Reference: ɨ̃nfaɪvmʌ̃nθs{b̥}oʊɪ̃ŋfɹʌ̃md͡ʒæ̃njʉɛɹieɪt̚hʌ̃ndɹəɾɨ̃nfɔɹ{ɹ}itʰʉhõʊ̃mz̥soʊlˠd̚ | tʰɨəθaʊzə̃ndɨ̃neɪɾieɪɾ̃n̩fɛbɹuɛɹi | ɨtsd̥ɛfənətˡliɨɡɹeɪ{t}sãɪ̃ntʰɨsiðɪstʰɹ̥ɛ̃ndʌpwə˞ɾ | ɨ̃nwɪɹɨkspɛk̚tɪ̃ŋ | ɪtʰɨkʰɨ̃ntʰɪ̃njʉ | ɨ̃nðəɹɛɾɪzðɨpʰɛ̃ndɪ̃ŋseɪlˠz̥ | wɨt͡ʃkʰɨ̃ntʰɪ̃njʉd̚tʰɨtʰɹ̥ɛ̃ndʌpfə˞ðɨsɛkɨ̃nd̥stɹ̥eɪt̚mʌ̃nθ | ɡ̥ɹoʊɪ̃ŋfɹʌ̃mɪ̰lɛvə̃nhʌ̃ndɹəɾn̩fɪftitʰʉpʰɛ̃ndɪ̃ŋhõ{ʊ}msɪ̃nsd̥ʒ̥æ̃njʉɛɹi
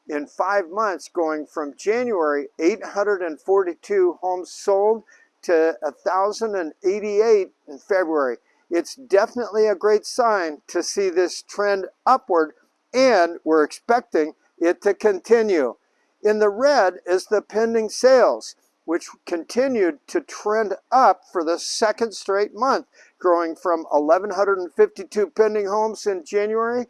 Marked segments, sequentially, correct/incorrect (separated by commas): incorrect, incorrect, correct, incorrect